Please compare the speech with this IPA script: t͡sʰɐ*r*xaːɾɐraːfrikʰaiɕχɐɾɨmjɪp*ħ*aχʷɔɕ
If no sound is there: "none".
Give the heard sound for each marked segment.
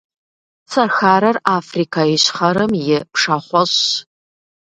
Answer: r, ʂ

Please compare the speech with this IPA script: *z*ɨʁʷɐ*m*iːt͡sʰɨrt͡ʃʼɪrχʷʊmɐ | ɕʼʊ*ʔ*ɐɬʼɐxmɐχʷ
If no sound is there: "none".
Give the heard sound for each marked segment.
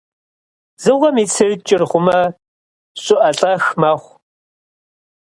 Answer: z, m, ʔ

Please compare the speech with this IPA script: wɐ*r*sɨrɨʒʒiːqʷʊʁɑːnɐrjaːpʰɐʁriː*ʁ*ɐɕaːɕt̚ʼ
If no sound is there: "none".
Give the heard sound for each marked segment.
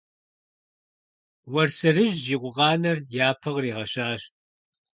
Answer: r, ʁ

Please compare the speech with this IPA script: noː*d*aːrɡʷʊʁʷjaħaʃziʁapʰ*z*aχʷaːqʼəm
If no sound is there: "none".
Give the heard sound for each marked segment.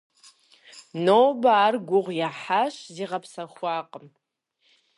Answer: b, s

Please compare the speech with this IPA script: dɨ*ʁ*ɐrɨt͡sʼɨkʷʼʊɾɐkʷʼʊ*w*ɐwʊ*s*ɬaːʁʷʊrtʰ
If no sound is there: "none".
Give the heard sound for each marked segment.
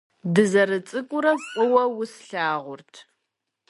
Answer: z, w, s

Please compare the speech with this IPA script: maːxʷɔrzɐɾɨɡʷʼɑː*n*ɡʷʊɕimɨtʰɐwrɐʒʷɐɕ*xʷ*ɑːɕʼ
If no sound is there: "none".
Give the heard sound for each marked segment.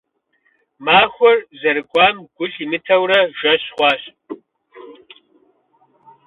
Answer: m, χʷ

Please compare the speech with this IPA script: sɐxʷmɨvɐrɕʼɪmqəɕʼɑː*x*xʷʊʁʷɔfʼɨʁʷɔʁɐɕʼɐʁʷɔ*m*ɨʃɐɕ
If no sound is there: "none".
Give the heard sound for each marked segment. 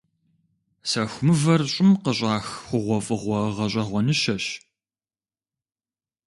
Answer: x, n

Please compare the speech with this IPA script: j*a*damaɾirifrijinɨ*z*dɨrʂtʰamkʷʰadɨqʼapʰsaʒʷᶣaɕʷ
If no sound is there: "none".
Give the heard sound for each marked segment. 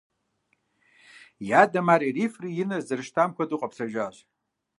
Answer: a, z

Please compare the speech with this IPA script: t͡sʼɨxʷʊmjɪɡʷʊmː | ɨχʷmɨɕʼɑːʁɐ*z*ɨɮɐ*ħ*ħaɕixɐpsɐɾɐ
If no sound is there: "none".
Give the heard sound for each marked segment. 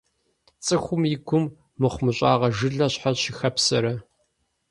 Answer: ʒ, ɕ

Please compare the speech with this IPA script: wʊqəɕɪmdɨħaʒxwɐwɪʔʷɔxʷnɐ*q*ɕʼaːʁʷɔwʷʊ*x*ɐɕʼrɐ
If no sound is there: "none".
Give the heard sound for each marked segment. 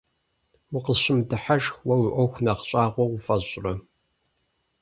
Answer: q, f

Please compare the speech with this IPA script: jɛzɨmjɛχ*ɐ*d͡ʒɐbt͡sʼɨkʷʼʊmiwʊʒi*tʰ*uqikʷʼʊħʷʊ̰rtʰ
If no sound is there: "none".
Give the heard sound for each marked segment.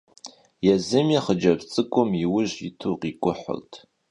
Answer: ə, tʰ

